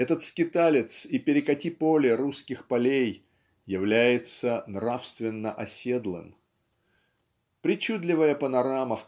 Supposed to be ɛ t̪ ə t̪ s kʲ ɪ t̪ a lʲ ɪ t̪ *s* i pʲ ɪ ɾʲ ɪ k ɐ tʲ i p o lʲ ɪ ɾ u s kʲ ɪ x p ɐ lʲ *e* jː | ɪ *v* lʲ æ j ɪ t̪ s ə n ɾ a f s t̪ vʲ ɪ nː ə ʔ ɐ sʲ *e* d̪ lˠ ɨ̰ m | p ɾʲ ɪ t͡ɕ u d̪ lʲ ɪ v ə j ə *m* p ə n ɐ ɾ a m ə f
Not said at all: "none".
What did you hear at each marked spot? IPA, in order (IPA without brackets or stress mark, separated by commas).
s, e, v, e, none